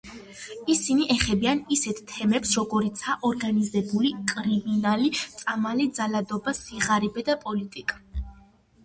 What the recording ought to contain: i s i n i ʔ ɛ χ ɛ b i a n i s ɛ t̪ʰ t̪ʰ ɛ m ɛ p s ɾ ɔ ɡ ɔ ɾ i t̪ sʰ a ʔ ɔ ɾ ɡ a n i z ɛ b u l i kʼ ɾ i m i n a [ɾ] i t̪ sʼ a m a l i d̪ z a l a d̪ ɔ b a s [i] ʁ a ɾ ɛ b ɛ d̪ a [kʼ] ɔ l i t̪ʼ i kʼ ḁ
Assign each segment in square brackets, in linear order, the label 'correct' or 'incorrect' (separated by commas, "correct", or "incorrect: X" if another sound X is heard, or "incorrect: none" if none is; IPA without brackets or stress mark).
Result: incorrect: l, correct, incorrect: pʼ